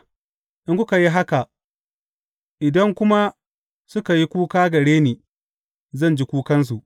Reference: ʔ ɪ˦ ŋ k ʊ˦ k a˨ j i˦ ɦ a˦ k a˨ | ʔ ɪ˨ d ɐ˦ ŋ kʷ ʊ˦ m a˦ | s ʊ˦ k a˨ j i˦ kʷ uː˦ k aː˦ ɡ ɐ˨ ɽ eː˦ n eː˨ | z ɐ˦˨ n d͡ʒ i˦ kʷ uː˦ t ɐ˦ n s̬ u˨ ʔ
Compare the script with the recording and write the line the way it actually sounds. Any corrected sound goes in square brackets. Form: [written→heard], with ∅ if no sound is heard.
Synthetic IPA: ʔ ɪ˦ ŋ k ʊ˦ k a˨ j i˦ ɦ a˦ k a˨ | ʔ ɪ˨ d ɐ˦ ŋ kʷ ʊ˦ m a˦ | s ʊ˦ k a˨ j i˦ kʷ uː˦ k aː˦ ɡ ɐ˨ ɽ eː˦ n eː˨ | z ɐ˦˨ n d͡ʒ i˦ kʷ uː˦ [t→k] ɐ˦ n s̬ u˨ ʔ